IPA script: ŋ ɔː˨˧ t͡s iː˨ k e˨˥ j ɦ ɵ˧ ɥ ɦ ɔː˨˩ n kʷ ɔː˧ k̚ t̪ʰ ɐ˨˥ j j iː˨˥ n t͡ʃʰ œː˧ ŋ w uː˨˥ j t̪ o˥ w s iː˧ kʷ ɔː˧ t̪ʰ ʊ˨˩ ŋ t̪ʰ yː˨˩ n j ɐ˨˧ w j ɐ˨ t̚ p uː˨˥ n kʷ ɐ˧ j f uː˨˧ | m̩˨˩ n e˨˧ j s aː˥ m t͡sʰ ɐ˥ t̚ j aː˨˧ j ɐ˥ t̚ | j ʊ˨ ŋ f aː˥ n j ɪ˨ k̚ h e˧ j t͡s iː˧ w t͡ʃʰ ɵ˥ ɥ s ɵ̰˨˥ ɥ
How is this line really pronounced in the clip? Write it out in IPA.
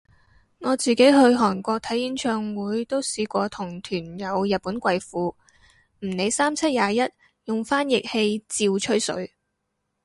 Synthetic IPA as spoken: ŋ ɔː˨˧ t͡s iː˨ k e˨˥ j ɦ ɵ˧ ɥ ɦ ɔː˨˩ n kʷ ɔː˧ k̚ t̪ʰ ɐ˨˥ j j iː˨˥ n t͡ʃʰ œː˧ ŋ w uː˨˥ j t̪ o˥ w s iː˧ kʷ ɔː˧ t̪ʰ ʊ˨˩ ŋ t̪ʰ yː˨˩ n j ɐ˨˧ w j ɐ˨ t̚ p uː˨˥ n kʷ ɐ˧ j f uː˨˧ | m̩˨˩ n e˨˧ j s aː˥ m t͡sʰ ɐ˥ t̚ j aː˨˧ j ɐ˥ t̚ | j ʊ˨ ŋ f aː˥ n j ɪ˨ k̚ h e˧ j t͡s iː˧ w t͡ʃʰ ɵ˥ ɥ s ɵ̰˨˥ ɥ